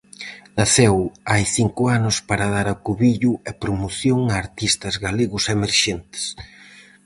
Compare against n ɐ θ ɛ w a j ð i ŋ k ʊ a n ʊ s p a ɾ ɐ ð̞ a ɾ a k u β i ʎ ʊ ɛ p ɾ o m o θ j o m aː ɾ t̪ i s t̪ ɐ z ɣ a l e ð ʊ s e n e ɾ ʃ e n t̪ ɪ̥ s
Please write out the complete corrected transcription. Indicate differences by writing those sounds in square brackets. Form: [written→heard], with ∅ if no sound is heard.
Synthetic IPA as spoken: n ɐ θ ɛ w a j [ð→θ] i ŋ k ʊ a n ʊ s p a ɾ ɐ ð̞ a ɾ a k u β i ʎ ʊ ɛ p ɾ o m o θ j o [m→ŋ] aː ɾ t̪ i s t̪ ɐ z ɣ a l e [ð→ɣ] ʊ s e [n→m] e ɾ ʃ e n t̪ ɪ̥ s